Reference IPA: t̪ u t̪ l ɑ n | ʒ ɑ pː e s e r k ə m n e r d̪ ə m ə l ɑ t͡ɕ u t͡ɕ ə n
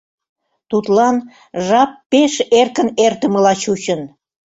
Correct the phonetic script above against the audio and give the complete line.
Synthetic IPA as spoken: t̪ u t̪ l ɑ n | ʒ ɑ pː e ʃ e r k ə n e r t̪ ə m ə l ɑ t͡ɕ u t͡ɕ ə n